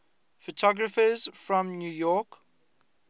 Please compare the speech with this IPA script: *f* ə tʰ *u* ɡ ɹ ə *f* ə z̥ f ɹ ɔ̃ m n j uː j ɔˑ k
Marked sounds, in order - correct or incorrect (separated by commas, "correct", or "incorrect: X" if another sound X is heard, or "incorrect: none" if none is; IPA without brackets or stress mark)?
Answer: correct, incorrect: ɔ, correct